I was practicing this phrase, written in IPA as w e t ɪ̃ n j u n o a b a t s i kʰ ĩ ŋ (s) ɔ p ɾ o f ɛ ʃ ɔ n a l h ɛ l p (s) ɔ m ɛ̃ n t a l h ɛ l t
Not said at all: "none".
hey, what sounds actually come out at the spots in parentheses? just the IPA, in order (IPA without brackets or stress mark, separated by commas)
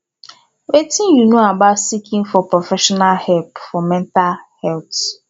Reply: f, f